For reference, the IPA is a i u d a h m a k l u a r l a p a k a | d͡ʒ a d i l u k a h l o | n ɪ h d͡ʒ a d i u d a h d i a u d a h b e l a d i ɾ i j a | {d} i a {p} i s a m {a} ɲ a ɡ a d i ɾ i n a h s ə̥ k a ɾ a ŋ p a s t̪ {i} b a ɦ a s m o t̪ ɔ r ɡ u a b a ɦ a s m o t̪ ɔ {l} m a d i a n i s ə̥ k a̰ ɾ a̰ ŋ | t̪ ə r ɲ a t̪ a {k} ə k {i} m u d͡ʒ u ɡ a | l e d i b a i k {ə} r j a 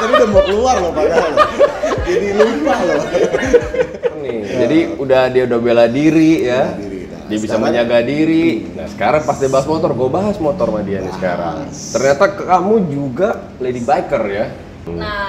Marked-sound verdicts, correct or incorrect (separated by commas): correct, incorrect, incorrect, correct, incorrect, correct, incorrect, correct